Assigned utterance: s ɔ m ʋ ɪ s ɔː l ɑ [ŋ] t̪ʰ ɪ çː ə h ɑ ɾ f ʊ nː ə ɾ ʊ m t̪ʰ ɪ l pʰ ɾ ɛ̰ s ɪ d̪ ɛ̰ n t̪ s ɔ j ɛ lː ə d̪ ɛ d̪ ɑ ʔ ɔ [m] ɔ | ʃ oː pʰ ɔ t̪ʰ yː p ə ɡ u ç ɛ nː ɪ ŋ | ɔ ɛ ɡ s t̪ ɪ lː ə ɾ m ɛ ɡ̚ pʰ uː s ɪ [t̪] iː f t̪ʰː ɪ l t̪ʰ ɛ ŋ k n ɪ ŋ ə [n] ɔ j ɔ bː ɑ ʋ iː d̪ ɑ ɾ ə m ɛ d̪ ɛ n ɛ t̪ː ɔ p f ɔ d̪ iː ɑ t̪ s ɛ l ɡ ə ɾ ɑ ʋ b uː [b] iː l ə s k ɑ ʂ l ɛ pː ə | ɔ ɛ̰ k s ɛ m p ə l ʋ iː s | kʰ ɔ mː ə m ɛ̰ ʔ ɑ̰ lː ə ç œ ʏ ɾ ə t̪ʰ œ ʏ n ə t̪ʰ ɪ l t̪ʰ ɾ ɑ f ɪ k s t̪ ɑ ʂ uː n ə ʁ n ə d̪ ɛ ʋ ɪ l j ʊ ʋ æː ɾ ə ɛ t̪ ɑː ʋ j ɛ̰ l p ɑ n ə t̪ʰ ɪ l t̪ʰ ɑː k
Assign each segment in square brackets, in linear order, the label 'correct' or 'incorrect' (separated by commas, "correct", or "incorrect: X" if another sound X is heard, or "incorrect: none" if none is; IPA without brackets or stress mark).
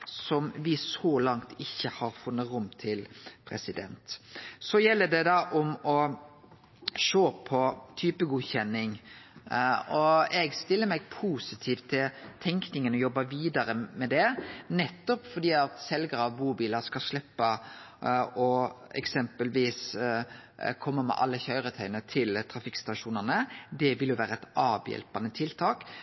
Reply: correct, correct, incorrect: t̪ʰ, correct, correct